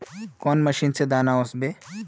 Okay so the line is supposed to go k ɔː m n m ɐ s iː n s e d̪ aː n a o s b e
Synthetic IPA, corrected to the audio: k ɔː n m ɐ ʃ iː n s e d̪ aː n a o s b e

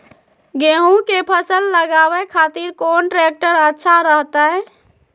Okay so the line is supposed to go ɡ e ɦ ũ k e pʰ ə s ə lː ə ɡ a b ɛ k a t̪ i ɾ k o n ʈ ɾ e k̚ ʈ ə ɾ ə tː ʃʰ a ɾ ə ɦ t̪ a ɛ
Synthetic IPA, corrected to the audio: ɡ e ɦ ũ k e pʰ ə s ə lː ə ɡ a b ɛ kʰ a t̪ i ɾ k o n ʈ ɾ e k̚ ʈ ə ɾ ə tː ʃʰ a ɾ ə ɦ t̪ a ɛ

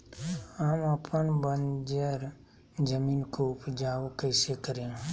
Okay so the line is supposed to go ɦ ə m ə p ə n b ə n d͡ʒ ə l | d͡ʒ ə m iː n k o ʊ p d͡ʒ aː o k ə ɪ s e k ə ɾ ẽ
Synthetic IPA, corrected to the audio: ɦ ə m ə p ə n b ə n d͡ʒ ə ɾ | d͡ʒ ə m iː n k o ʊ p d͡ʒ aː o k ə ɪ s e k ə ɾ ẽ

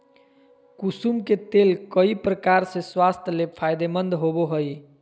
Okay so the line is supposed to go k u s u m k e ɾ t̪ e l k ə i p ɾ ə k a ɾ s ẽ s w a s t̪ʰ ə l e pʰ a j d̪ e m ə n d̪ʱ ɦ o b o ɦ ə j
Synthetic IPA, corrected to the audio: k u s u m k e t̪ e l k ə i p ɾ ə k a ɾ s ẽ s w a s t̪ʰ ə l e pʰ a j d̪ e m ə n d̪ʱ ɦ o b o ɦ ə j

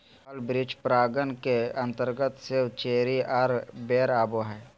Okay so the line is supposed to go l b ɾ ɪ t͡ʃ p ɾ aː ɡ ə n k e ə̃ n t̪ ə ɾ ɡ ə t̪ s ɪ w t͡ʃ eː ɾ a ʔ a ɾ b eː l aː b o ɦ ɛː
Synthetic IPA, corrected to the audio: l b ɾ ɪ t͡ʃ p ɾ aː ɡ ə n k e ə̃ n t̪ ə ɾ ɡ ə t̪ s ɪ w t͡ʃ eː ɾ i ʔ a ɾ b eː ɾ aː b o ɦ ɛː

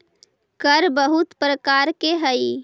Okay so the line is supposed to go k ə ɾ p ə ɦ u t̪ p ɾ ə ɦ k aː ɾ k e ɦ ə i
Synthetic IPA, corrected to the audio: k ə ɾ b ə ɦ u t̪ p ɾ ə k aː ɾ k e ɦ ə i

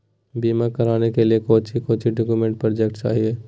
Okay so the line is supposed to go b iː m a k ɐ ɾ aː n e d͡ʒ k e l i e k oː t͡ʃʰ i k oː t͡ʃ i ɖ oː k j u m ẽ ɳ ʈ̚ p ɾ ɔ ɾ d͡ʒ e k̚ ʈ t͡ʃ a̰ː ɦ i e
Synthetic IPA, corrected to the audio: b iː m a k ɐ ɾ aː n e k e l i e k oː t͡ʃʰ i k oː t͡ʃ i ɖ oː k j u m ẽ ɳ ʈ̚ p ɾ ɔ ɾ d͡ʒ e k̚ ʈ t͡ʃ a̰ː ɦ i e

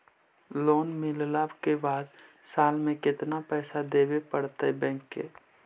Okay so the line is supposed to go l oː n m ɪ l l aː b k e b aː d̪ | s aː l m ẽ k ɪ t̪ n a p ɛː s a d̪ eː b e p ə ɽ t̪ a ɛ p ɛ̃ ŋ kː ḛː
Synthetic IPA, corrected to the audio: l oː n m ɪ l l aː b k e b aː d̪ | s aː l m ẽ k ɪ t̪ n a p ɛː s a d̪ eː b e p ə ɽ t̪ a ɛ b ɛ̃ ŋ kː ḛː

